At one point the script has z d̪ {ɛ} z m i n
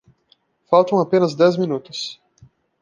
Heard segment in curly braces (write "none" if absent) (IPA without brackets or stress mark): ɛ